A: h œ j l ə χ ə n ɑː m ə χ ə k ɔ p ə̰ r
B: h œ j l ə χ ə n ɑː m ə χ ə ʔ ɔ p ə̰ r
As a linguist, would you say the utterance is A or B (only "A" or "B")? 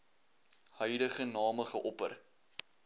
B